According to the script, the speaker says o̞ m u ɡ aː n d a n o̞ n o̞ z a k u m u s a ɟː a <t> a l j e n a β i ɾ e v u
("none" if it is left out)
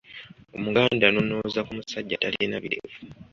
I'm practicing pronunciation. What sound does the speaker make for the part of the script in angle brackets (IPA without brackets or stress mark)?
t